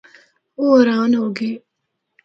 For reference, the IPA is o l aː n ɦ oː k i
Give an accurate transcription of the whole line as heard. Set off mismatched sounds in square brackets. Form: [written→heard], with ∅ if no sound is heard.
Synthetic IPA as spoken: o [l→ɾ] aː n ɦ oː [k→ɡ] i